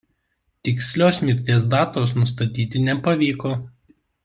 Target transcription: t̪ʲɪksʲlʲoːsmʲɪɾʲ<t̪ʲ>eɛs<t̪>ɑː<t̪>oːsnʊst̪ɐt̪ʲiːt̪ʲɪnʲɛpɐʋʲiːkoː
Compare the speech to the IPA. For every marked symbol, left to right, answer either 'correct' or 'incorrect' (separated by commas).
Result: correct, incorrect, correct